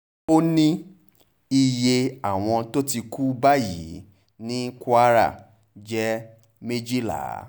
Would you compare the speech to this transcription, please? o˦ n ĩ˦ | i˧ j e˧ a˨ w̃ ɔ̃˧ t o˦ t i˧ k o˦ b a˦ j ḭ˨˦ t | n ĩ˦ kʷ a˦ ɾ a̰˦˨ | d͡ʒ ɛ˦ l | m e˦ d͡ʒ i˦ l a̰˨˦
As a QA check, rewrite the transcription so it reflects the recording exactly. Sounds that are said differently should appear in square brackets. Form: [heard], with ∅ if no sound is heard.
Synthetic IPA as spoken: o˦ n ĩ˦ | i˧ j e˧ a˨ w̃ ɔ̃˧ t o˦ t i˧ k [u˦] b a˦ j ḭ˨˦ [∅] | n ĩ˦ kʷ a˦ ɾ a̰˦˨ | d͡ʒ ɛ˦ [∅] | m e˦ d͡ʒ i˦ l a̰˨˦